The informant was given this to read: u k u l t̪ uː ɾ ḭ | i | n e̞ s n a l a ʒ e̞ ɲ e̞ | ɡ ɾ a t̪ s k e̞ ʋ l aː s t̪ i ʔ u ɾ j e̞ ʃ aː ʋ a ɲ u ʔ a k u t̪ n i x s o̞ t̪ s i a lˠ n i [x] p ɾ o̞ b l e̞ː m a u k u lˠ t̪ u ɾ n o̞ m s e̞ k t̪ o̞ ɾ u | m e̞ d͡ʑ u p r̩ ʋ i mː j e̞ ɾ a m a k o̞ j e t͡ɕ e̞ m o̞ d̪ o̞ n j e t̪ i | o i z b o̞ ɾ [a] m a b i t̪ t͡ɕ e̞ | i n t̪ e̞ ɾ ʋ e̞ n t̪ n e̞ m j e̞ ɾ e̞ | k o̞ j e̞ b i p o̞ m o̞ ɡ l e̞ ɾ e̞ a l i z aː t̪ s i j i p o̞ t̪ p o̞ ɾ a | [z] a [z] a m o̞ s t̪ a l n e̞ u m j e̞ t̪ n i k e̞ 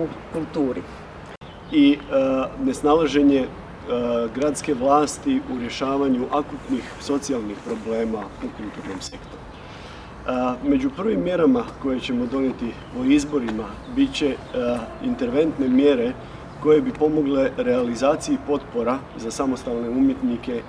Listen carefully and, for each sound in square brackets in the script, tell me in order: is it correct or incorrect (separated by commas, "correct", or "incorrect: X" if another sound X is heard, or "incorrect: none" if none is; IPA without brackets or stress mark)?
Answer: correct, incorrect: i, correct, incorrect: s